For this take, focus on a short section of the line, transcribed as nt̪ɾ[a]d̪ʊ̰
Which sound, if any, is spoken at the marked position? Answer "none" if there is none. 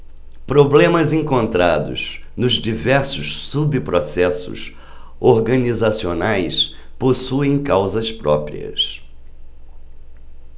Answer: a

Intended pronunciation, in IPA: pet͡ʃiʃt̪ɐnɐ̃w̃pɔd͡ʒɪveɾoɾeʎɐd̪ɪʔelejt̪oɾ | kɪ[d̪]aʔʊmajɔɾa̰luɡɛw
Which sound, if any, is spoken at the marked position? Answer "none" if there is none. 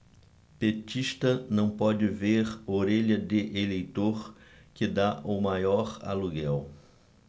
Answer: d̪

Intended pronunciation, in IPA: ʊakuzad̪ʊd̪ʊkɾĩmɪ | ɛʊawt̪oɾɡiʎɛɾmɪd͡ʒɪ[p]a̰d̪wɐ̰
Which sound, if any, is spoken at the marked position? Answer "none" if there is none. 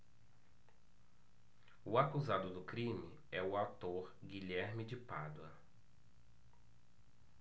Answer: p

